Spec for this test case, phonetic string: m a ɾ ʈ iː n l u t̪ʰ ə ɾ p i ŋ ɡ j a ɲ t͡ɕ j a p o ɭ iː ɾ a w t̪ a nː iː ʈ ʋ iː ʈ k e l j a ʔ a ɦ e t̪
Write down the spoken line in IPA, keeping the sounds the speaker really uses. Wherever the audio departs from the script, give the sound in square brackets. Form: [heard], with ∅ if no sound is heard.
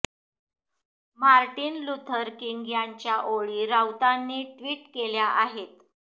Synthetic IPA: m a ɾ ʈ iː n l u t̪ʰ ə ɾ [k] i ŋ ɡ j a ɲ t͡ɕ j a [ʔ] o ɭ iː ɾ a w t̪ a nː iː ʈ ʋ iː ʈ k e l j a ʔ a ɦ e t̪